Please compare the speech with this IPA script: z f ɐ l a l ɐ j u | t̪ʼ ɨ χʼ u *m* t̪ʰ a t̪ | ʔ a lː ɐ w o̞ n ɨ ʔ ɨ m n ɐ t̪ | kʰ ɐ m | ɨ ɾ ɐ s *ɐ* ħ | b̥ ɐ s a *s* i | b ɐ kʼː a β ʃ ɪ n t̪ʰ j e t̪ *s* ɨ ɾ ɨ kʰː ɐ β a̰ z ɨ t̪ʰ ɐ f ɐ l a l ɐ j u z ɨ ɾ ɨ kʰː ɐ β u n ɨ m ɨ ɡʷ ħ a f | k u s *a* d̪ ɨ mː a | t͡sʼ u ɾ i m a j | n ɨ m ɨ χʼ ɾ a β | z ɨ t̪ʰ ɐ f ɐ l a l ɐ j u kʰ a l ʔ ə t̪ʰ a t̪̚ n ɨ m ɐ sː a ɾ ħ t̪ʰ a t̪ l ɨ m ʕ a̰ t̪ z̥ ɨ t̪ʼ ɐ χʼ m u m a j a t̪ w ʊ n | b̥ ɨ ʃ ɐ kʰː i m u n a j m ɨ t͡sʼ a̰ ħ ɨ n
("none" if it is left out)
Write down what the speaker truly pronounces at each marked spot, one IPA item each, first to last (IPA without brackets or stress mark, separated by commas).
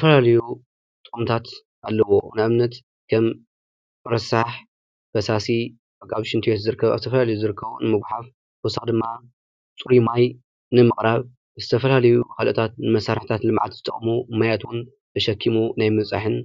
m, a, s, z, a